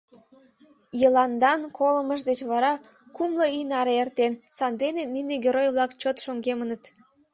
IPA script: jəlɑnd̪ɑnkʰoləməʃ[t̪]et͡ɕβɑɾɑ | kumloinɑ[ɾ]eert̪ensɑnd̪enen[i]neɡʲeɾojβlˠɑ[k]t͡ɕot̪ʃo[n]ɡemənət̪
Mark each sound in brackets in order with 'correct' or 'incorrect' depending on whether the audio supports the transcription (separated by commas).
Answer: incorrect, correct, correct, correct, incorrect